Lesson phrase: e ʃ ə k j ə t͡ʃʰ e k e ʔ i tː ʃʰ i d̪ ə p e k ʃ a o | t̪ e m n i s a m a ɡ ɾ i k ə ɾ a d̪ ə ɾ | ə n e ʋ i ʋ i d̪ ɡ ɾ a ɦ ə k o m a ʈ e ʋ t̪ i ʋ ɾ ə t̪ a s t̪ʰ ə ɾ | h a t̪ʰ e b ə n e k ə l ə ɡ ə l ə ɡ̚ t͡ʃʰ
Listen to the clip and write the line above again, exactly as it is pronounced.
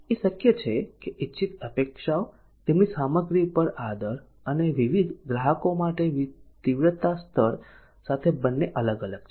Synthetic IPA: e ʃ ə k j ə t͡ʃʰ e k e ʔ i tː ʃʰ i t̪ ə p e k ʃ a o | t̪ e m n i s a m ə ɡ ɾ i p ə ɾ a d̪ ə ɾ | ə n e ʋ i ʋ i d̪ ɡ ɾ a ɦ ə k o m a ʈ e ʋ t̪ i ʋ ɾ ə t̪ a s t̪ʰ ə ɾ | s a t̪ʰ e b ə nː e ʔ ə l ə ɡ ə l ə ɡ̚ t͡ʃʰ